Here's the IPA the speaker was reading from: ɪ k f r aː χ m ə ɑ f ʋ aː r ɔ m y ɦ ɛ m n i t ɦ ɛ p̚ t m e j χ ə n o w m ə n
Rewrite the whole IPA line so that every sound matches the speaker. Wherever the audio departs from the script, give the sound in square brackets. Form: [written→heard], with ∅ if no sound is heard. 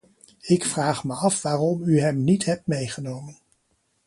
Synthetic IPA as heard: ɪ k f r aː χ m ə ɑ f ʋ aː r ɔ m y ɦ ɛ m n i t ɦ ɛ p̚ t m e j χ ə n o w m ə n